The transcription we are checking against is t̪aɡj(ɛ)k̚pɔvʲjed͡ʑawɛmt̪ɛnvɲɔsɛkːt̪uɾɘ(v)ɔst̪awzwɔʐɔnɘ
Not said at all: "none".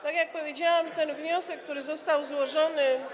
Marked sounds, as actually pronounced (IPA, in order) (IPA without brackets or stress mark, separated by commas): a, z